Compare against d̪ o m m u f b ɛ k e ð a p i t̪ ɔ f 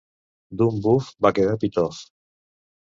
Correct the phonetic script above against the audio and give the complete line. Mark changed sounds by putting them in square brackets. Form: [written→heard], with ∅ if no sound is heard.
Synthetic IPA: d̪ [o→u] m [m→b] u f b [ɛ→a] k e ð a p i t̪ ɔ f